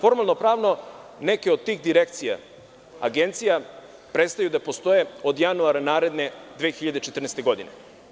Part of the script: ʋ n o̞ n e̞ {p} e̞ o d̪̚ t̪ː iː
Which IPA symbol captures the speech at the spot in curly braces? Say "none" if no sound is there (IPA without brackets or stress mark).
k